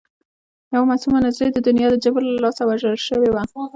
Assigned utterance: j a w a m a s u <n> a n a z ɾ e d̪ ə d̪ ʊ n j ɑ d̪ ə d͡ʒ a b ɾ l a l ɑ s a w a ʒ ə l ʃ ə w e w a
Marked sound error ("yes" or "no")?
yes